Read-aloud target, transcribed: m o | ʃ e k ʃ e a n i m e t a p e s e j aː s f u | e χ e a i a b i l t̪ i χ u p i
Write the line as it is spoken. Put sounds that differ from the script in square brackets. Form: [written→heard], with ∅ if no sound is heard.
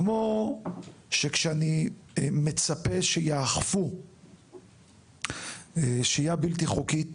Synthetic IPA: m o | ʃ e k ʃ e a n i m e [t→t͡s] a p e [s→ʃ] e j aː [s→χ] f u | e [χ→ʃ] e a [i→j] a b i l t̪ i χ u [p→k] i